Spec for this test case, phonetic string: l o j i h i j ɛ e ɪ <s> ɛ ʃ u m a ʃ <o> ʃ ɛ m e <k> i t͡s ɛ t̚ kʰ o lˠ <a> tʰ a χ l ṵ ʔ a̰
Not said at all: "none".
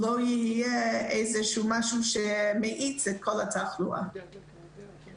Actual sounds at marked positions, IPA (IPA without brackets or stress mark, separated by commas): z, u, ʔ, a